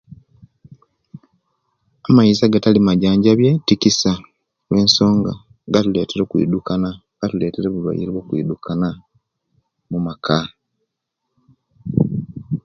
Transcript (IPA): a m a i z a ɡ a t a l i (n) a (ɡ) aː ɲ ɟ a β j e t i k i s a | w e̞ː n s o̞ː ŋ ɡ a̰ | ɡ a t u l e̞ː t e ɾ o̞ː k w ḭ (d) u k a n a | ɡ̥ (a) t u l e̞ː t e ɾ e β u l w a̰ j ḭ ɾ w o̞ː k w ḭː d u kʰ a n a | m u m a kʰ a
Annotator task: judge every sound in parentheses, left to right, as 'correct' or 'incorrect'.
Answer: incorrect, incorrect, correct, correct

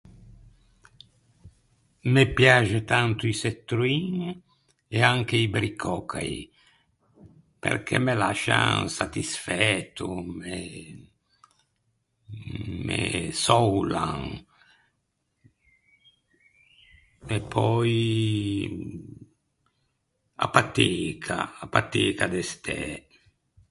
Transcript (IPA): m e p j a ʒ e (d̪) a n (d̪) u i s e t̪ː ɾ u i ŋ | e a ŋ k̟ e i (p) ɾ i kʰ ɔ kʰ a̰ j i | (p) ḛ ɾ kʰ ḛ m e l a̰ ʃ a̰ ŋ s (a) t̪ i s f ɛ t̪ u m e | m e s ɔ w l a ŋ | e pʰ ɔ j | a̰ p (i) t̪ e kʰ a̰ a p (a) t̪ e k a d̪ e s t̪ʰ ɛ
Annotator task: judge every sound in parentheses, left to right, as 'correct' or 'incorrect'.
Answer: incorrect, incorrect, incorrect, correct, correct, incorrect, correct

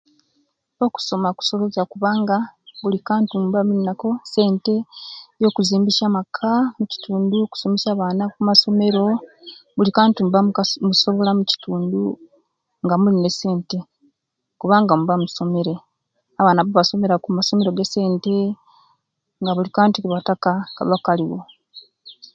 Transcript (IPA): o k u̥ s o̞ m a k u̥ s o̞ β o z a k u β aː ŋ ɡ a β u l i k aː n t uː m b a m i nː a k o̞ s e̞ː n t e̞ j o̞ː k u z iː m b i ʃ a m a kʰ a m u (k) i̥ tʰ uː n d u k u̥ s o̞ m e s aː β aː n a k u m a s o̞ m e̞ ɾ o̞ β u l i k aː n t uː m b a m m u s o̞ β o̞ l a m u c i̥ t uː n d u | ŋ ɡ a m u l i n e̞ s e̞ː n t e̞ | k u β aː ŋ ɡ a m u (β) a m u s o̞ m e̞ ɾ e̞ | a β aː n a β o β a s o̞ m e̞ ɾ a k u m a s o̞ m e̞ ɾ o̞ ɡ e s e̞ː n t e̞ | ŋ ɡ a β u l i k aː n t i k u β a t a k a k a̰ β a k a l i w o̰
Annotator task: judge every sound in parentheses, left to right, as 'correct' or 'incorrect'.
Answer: incorrect, correct

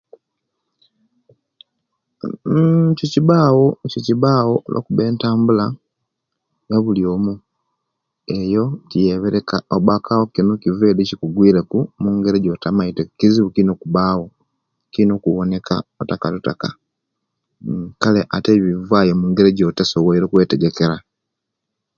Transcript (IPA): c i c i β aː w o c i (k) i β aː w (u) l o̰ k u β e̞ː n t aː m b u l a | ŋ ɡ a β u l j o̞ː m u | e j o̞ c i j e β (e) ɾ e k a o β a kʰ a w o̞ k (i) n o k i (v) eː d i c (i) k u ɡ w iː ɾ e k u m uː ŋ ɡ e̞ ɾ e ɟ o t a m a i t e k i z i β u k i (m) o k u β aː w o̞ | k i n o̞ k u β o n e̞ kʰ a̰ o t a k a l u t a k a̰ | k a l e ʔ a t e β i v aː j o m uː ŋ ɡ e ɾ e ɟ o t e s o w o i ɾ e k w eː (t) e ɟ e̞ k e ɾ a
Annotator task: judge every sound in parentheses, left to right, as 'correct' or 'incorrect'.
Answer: incorrect, incorrect, correct, correct, correct, correct, incorrect, correct

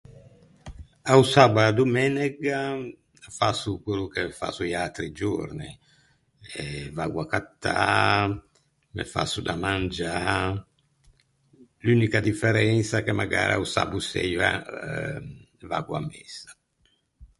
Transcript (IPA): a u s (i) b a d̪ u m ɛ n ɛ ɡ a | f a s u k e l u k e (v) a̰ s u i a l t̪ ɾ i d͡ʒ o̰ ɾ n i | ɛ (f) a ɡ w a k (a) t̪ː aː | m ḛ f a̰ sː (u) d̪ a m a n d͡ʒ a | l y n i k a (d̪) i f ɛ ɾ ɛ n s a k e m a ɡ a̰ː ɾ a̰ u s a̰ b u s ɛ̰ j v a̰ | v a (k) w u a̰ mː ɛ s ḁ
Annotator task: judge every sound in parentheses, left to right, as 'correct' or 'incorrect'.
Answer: incorrect, incorrect, incorrect, correct, correct, correct, incorrect

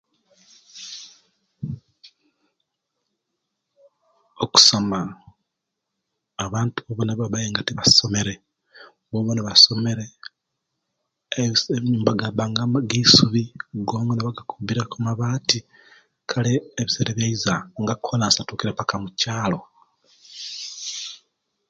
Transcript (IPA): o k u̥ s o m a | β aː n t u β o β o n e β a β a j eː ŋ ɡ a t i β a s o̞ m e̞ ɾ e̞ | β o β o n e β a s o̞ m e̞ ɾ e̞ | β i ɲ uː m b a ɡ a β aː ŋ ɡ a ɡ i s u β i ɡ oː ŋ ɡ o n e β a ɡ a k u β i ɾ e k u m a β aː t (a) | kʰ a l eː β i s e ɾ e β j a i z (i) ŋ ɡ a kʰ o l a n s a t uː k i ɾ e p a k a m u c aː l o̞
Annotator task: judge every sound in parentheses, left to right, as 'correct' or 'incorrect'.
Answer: incorrect, incorrect

